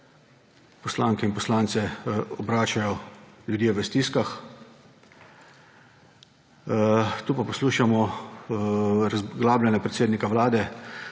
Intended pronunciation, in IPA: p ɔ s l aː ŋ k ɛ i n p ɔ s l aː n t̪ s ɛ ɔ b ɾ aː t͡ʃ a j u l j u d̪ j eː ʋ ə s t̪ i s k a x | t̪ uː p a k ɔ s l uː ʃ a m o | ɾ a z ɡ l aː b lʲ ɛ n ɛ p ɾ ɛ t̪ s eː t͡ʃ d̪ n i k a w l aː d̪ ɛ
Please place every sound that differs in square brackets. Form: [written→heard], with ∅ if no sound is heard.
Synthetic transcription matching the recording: p ɔ s l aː ŋ k ɛ i n p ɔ s l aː n t̪ s ɛ ɔ b ɾ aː t͡ʃ a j [u→ɔ] l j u d̪ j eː ʋ ə s t̪ i s k a x | t̪ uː p a [k→p] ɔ s l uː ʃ a m [o→ɔ] | ɾ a z ɡ l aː b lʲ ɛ n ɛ p ɾ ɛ t̪ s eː [t͡ʃ→∅] d̪ n i k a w l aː d̪ ɛ